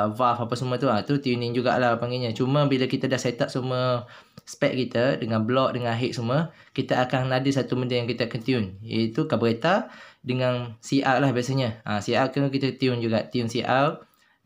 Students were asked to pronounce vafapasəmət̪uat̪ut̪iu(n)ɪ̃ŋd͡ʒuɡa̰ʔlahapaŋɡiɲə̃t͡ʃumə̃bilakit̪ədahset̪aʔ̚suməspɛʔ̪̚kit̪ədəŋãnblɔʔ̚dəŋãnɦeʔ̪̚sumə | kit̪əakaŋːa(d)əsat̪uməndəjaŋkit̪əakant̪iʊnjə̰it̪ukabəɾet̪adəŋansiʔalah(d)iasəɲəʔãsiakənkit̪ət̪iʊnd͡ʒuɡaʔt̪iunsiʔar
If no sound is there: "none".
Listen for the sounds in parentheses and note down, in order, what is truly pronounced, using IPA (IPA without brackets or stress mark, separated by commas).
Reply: n, d, b